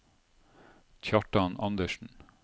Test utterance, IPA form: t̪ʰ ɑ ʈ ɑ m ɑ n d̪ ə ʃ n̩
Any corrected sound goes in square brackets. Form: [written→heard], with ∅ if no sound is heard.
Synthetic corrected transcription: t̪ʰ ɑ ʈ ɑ [m→n] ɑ n d̪ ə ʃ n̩